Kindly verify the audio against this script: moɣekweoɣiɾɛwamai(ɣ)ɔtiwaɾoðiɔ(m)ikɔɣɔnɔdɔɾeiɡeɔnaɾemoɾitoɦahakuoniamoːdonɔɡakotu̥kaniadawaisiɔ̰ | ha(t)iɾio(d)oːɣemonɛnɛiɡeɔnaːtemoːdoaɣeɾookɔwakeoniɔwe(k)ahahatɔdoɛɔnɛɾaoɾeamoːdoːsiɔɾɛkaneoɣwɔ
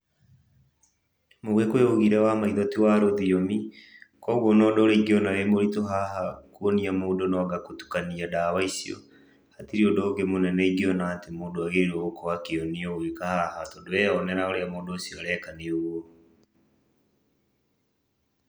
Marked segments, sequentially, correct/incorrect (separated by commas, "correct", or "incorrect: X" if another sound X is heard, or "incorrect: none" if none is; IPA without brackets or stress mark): incorrect: ð, correct, correct, correct, correct